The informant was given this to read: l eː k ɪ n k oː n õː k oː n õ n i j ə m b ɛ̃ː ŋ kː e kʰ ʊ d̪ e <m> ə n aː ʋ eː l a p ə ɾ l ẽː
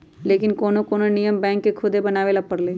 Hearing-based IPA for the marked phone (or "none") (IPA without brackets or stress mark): b